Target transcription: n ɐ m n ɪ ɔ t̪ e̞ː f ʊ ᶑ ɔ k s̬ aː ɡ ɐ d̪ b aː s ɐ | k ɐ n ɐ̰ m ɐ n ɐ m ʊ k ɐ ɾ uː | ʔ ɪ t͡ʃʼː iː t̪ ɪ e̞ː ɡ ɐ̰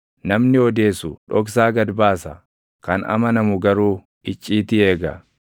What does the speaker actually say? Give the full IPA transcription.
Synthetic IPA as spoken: n ɐ m n ɪ ɔ d̪ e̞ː s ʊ ᶑ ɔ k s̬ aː ɡ ɐ d̪ b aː s ɐ | k ɐ n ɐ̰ m ɐ n ɐ m ʊ ɡ ɐ ɾ uː | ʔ ɪ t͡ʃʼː iː t̪ ɪ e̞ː ɡ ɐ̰